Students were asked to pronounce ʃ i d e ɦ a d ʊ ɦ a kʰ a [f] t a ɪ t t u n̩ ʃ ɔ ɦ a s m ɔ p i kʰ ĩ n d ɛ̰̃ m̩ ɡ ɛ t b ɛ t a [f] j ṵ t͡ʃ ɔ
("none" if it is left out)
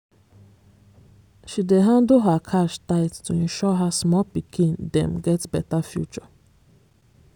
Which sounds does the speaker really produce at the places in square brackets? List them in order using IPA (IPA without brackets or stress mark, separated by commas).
ʃ, f